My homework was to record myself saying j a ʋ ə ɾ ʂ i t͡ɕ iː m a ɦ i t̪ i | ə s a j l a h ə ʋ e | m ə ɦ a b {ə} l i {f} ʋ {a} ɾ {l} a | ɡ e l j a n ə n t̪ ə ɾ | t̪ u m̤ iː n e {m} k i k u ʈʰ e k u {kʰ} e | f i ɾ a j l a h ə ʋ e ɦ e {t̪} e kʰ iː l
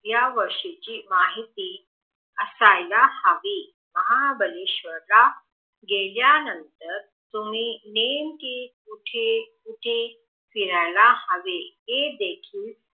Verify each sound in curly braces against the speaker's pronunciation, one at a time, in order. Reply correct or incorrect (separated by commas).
correct, incorrect, incorrect, correct, correct, incorrect, incorrect